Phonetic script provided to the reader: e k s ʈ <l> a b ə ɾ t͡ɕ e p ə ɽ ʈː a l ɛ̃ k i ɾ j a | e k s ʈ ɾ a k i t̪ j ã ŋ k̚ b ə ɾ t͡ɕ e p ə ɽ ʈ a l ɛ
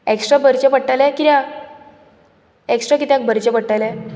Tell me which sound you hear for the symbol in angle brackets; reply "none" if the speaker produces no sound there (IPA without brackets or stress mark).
ɾ